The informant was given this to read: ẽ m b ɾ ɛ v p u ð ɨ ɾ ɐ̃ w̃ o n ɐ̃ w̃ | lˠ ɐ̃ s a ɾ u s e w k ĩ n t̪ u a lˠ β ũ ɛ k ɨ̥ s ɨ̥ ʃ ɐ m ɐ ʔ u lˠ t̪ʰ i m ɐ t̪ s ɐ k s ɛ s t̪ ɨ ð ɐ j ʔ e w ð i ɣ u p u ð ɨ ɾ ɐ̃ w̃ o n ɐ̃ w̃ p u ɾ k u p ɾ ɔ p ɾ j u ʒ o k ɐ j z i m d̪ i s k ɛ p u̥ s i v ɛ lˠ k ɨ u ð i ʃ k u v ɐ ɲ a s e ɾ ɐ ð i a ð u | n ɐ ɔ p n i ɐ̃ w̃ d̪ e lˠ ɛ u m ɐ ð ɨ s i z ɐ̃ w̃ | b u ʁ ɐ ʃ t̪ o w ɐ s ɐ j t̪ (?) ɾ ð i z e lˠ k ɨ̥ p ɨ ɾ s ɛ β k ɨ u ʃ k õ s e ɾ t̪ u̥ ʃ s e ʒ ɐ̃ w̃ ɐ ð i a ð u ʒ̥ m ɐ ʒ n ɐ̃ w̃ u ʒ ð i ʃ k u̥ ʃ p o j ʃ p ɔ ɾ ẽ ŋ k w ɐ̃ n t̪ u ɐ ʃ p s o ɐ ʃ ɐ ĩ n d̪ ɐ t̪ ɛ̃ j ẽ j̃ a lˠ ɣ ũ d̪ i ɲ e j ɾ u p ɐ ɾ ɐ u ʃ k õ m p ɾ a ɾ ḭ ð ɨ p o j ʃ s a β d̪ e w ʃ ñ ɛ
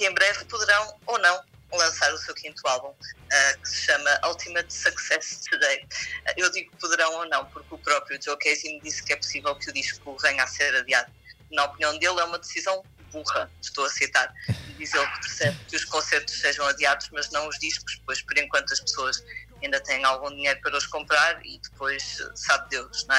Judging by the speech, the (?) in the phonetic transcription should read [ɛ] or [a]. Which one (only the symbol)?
a